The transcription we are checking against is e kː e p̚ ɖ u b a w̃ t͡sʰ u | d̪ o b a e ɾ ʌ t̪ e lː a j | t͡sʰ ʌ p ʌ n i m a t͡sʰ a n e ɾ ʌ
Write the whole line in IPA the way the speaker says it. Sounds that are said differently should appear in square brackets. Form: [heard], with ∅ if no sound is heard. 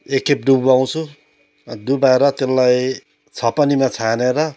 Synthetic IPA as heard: e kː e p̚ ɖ u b a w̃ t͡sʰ u | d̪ [u] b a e ɾ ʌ t̪ e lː a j | t͡sʰ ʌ p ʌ n i m a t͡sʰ a n e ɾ ʌ